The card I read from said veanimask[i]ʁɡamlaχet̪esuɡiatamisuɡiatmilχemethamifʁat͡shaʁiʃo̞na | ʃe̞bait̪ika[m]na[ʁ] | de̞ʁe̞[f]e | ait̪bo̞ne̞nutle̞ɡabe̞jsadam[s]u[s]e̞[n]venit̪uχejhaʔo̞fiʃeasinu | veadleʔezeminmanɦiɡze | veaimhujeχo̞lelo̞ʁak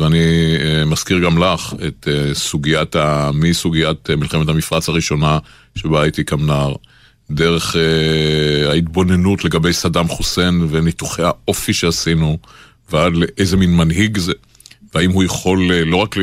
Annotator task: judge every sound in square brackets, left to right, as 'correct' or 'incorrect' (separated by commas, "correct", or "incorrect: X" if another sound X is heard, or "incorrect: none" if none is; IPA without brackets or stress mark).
correct, correct, correct, incorrect: χ, incorrect: χ, correct, correct